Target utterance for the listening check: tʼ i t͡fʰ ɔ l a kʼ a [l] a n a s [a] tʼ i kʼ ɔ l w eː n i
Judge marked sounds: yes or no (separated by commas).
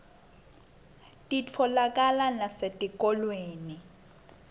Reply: yes, no